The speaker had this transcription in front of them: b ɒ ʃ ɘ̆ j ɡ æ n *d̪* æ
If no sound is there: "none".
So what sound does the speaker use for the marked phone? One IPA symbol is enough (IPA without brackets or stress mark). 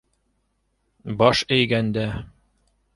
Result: d̪